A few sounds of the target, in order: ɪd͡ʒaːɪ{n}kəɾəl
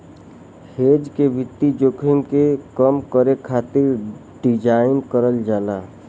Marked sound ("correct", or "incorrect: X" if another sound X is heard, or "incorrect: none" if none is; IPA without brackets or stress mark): correct